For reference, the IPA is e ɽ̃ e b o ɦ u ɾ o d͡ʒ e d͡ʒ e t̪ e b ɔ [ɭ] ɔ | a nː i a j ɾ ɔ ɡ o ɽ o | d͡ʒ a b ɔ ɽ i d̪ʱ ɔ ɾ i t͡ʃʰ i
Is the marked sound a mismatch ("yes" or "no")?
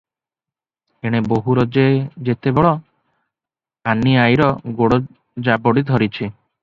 no